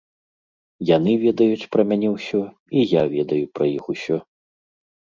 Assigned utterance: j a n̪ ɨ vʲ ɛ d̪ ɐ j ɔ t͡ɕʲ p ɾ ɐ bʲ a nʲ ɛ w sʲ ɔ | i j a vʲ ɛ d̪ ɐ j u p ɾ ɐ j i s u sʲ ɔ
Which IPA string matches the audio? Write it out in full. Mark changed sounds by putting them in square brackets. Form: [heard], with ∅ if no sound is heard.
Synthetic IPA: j a n̪ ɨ vʲ ɛ d̪ ɐ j [u] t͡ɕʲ p ɾ ɐ [mʲ] a nʲ ɛ w sʲ ɔ | i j a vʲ ɛ d̪ ɐ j u p ɾ ɐ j i [x] u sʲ ɔ